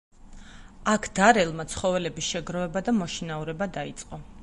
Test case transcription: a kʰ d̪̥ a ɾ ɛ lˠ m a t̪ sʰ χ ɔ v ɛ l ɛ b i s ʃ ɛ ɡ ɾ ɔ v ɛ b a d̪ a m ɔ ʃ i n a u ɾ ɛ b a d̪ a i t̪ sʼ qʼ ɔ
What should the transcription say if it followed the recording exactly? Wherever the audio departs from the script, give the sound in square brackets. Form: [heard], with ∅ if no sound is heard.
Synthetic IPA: a kʰ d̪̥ a ɾ ɛ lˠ m a t̪ sʰ χ ɔ v ɛ l ɛ b i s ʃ ɛ ɡ ɾ ɔ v ɛ b a d̪ a m ɔ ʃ i n a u ɾ ɛ b a d̪ a i t̪ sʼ qʼ ɔ